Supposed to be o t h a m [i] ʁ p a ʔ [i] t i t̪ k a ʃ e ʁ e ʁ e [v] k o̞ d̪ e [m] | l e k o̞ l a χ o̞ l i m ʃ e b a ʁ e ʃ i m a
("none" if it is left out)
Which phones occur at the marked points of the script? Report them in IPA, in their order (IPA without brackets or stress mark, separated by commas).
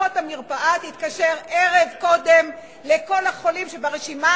i, a, v, m